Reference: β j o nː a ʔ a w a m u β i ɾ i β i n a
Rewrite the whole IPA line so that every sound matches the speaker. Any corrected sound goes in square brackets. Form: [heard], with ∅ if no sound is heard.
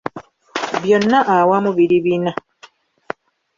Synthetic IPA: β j o nː a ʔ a w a m u β i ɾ i β i n a